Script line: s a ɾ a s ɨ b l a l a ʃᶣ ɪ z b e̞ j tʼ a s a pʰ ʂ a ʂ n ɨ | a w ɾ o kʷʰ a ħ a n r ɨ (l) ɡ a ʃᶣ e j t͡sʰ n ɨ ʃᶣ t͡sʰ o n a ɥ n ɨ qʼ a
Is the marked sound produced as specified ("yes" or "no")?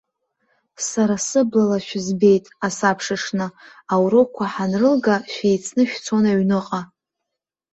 yes